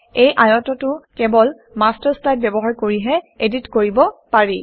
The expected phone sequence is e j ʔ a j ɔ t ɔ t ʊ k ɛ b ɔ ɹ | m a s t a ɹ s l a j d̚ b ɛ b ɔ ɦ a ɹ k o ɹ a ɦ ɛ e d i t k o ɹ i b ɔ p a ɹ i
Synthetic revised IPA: e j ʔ a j ɔ t ɔ t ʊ k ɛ b ɔ l | m a s t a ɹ s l a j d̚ b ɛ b ɔ ɦ a ɹ k o ɹ i ɦ ɛ e d i t k o ɹ i b ɔ p a ɹ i